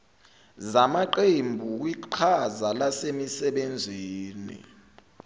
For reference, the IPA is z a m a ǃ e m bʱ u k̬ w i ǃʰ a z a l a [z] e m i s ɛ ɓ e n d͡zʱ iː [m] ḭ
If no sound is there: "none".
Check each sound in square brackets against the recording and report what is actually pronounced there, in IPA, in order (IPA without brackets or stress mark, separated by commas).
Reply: s, n